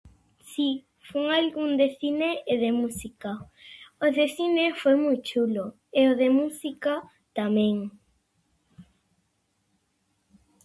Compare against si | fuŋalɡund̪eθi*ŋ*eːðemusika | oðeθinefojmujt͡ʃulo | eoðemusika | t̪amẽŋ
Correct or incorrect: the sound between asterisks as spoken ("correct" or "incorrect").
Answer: incorrect